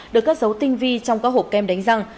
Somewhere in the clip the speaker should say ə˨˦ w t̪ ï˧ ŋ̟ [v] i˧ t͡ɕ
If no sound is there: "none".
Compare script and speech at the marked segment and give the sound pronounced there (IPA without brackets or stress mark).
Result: v